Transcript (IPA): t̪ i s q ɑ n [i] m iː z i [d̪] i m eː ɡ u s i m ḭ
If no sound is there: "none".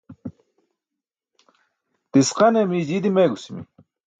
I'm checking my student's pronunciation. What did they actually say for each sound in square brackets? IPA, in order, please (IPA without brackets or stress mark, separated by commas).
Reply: e, d̪